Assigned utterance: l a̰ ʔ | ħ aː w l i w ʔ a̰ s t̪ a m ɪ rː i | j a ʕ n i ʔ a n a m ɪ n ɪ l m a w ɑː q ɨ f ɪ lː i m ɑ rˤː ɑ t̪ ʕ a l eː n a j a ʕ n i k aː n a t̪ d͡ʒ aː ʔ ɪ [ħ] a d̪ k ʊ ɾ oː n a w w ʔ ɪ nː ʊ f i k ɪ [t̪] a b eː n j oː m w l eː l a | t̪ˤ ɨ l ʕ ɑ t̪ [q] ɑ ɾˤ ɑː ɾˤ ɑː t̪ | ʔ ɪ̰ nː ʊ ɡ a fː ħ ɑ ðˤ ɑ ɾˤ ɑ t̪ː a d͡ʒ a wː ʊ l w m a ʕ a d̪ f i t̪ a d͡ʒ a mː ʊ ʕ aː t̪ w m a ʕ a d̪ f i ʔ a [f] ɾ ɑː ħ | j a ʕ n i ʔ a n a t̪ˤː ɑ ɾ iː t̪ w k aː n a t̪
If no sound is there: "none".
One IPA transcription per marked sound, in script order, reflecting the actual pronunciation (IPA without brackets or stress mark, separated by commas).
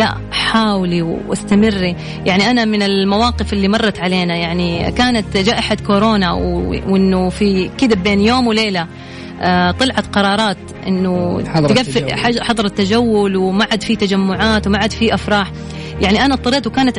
ħ, d̪, q, f